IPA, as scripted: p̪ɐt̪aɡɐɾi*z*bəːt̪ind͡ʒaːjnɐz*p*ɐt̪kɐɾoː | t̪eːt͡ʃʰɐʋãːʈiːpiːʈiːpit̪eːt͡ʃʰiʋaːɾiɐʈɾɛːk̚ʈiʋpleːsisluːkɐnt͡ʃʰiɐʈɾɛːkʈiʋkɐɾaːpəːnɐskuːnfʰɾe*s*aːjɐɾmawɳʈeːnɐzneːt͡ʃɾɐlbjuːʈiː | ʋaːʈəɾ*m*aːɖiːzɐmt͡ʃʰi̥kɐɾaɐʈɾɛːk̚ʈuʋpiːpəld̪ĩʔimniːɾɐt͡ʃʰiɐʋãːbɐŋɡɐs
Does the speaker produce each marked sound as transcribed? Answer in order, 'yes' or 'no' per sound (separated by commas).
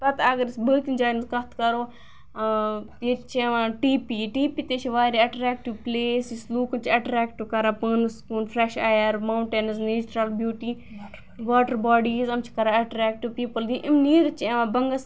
no, no, no, no